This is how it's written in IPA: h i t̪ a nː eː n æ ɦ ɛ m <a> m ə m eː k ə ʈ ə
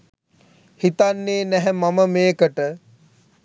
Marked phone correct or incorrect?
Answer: correct